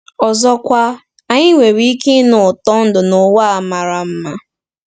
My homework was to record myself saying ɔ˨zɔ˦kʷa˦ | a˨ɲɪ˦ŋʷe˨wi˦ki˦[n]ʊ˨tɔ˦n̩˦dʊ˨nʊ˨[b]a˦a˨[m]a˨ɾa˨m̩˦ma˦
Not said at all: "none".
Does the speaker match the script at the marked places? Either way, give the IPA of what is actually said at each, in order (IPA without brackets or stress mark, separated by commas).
n, w, m